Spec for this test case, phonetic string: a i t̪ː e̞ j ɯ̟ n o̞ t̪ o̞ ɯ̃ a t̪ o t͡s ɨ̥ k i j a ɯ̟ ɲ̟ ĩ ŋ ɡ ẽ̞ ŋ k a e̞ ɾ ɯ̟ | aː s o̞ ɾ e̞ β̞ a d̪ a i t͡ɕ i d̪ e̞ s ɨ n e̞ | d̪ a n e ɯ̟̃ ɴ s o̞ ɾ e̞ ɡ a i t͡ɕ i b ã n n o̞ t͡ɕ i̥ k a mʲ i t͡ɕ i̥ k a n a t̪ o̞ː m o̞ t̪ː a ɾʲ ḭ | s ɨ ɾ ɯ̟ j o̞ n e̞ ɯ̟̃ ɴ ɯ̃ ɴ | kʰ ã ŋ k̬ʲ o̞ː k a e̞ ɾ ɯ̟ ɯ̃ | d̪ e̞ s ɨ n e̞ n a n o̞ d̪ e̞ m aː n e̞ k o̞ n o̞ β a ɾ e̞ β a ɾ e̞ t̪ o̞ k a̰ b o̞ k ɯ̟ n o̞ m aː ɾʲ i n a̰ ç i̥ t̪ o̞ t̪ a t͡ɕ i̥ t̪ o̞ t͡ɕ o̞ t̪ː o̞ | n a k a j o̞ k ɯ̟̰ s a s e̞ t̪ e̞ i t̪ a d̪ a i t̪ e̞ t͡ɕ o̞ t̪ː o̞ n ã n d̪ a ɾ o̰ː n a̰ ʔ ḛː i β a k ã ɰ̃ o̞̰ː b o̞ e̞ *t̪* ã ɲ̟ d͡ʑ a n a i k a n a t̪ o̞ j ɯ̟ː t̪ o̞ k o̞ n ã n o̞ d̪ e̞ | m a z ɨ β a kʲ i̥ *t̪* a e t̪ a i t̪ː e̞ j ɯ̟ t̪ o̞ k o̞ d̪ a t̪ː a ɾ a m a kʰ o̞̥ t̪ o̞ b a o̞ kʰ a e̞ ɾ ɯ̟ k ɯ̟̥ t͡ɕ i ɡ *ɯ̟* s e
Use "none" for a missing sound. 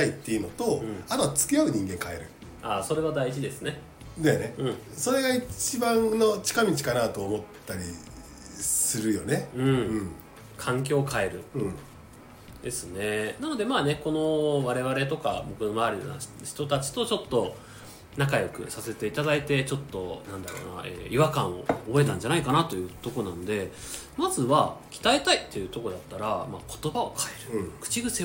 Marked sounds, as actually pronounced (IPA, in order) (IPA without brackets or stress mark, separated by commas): t̪, t̪, ɯ̟